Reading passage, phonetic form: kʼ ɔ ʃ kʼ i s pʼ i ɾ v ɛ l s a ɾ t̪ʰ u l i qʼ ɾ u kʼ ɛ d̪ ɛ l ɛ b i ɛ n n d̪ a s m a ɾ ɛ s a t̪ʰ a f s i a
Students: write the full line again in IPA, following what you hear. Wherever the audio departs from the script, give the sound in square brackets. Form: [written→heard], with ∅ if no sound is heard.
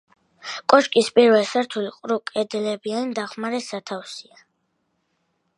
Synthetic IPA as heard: kʼ ɔ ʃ kʼ i s pʼ i ɾ v ɛ l s a ɾ t̪ʰ u l i qʼ ɾ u kʼ ɛ d̪ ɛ l ɛ b i [ɛ→a] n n d̪ a [s→χ] m a ɾ ɛ s a t̪ʰ a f s i a

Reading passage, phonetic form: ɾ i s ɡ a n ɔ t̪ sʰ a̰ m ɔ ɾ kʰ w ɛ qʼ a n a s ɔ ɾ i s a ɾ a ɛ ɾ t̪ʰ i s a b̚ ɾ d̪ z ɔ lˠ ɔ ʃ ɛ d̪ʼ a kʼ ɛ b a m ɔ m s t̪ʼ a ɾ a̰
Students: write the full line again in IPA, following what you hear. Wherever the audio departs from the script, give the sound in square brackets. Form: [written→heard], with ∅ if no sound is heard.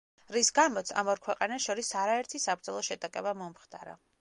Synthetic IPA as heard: ɾ i s ɡ a [n→m] ɔ t̪ sʰ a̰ m ɔ ɾ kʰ w ɛ qʼ a n a [s→ʃ] ɔ ɾ i s a ɾ a ɛ ɾ t̪ʰ i s a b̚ ɾ d̪ z ɔ lˠ ɔ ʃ ɛ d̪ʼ a kʼ ɛ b a m ɔ m [s→χ] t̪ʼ a ɾ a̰

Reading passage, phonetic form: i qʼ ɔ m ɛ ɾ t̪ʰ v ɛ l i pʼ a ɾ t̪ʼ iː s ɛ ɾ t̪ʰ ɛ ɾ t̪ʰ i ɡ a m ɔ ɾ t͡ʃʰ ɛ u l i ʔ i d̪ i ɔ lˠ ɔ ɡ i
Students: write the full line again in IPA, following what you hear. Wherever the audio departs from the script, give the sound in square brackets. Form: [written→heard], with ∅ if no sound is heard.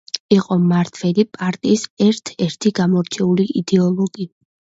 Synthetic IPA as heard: i qʼ ɔ m [ɛ→a] ɾ t̪ʰ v ɛ l i pʼ a ɾ t̪ʼ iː s ɛ ɾ t̪ʰ ɛ ɾ t̪ʰ i ɡ a m ɔ ɾ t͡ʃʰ ɛ u l i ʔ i d̪ [i→ɛ] ɔ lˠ ɔ ɡ i

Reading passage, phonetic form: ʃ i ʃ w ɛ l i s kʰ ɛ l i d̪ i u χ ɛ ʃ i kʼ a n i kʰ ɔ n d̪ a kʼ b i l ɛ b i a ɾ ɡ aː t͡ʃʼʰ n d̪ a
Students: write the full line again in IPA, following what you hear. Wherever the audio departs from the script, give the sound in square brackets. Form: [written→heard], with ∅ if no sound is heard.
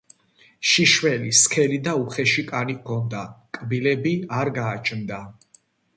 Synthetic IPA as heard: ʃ i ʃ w ɛ l i s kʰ ɛ l i d̪ [i→a] u χ ɛ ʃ i kʼ a n i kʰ ɔ n d̪ a kʼ b i l ɛ b i a ɾ ɡ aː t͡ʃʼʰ n d̪ a

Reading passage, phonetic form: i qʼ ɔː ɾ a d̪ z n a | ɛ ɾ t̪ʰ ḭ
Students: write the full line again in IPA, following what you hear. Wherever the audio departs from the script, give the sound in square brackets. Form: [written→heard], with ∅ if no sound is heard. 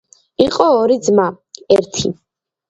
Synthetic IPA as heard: i qʼ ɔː ɾ [a→i] d̪ z [n→m] a | ɛ ɾ t̪ʰ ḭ

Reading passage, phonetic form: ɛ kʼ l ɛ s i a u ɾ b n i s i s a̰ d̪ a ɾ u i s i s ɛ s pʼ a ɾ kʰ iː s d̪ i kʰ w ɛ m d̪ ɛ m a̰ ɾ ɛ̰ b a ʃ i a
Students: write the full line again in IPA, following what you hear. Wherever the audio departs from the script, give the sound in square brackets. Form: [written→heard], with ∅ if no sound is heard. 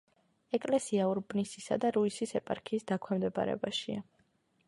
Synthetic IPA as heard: ɛ kʼ l ɛ s i a u ɾ b n i s i s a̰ d̪ a ɾ u i s i s ɛ [s→∅] pʼ a ɾ kʰ iː s d̪ [i→a] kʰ w ɛ m d̪ ɛ [m→b] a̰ ɾ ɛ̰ b a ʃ i a

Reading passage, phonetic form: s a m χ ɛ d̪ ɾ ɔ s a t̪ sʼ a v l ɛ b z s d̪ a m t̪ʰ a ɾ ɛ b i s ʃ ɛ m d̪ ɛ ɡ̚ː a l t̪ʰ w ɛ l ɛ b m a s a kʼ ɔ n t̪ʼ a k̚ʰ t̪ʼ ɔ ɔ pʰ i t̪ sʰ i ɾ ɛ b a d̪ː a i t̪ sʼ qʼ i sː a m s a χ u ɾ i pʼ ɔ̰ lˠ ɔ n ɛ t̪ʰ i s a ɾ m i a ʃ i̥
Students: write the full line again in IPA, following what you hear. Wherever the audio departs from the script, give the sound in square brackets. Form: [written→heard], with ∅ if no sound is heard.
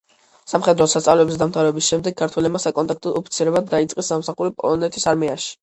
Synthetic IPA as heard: s a m χ ɛ d̪ ɾ ɔ s a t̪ sʼ a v l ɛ b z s d̪ a m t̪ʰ a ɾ ɛ b i s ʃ ɛ m d̪ ɛ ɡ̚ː a [l→ɾ] t̪ʰ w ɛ l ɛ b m a s a kʼ ɔ n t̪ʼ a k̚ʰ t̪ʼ ɔ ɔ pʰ i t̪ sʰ i ɾ ɛ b a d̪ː a i t̪ sʼ qʼ i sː a m s a χ u ɾ i pʼ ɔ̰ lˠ ɔ n ɛ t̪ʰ i s a ɾ m i a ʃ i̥

